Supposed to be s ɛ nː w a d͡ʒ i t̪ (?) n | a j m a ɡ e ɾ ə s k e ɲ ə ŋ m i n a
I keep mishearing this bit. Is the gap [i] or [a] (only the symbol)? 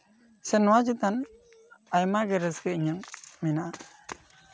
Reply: a